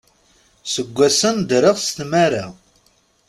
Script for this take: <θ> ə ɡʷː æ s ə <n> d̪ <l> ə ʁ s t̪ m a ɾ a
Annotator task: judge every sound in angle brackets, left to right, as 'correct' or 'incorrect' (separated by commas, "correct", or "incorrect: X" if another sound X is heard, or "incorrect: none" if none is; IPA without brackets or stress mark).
incorrect: s, correct, incorrect: ɾ